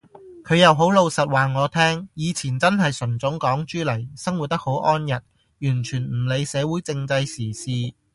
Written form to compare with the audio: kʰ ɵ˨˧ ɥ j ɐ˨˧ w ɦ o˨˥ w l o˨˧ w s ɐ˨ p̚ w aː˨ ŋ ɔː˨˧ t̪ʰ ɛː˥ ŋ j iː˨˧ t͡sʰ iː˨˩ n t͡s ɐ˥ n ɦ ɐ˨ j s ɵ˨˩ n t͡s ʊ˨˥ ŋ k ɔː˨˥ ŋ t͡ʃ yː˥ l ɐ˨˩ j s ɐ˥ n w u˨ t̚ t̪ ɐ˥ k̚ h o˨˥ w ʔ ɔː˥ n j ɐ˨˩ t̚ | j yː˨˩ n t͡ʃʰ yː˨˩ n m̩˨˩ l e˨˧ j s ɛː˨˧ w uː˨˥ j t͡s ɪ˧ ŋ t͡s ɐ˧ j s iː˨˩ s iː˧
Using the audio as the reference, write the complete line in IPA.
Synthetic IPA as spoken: kʰ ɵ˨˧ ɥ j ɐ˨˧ w ɦ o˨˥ w l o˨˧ w s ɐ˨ t̚ w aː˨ ŋ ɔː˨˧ t̪ʰ ɛː˥ ŋ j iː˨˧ t͡sʰ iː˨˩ n t͡s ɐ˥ n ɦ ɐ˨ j s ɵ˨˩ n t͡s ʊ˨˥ ŋ k ɔː˨˥ ŋ t͡ʃ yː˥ l ɐ˨˩ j s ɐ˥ ŋ w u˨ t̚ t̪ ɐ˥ k̚ h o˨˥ w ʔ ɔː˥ n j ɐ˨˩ t̚ | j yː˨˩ n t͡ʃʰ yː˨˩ n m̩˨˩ l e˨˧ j s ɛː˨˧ w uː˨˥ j t͡s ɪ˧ ŋ t͡s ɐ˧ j s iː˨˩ s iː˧